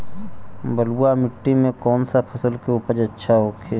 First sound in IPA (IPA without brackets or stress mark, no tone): b